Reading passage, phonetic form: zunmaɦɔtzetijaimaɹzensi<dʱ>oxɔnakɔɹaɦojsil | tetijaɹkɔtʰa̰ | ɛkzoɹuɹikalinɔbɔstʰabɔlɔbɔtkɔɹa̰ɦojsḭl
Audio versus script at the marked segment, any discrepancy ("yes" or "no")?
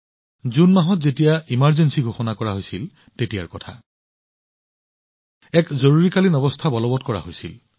yes